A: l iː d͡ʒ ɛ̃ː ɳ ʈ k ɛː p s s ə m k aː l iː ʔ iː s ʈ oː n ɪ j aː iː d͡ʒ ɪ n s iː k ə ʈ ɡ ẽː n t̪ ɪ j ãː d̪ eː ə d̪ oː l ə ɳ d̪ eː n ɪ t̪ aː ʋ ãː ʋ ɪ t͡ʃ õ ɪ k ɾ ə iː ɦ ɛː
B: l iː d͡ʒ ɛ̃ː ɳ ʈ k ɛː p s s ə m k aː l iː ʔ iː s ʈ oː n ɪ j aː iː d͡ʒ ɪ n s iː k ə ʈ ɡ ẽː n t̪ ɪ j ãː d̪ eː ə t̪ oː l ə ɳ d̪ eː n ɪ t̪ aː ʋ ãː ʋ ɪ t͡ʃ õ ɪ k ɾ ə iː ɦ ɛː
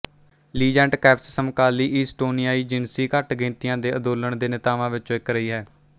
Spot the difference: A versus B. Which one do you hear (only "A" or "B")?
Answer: A